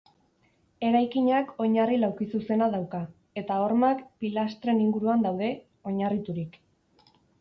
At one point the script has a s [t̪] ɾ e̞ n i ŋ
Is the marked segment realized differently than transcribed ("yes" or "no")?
no